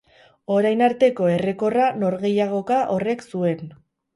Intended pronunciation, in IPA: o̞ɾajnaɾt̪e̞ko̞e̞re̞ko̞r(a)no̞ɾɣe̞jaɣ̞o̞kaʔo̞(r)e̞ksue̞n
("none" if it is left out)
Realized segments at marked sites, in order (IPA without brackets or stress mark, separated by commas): a, r